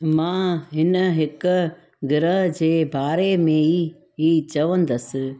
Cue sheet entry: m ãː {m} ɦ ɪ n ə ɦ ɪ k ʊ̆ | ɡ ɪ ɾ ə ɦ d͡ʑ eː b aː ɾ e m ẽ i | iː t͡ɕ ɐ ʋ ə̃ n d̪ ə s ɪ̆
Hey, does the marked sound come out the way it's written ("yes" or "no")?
no